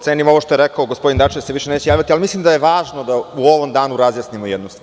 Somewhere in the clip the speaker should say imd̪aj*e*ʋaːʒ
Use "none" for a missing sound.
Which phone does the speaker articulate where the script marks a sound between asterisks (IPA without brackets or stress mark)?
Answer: e